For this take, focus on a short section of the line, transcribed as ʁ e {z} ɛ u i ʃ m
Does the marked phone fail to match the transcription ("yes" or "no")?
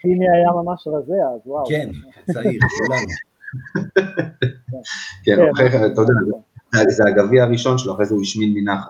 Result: no